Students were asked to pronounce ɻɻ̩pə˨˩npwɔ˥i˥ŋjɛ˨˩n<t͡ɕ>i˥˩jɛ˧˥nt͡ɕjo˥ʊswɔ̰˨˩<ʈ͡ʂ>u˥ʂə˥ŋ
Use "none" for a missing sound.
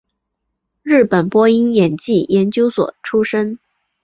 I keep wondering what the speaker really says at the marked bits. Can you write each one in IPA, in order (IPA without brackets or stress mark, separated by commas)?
t͡ɕ, ʈ͡ʂʰ